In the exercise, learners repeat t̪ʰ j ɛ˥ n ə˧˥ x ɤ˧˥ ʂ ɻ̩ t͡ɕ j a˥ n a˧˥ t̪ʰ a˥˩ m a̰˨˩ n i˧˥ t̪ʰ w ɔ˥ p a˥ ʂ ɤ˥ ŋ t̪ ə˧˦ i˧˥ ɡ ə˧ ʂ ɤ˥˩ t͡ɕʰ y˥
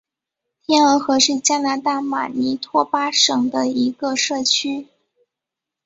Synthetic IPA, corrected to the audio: t̪ʰ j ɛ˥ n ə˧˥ x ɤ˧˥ ʂ ɻ̩ t͡ɕ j a˥ n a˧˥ t̪ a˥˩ m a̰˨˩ n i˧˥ t̪ʰ w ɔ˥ p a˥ ʂ ɤ˨˩ ŋ d̪ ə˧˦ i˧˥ ɡ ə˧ ʂ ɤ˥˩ t͡ɕʰ y˥